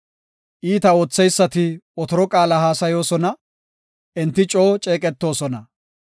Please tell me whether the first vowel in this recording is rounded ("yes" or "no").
no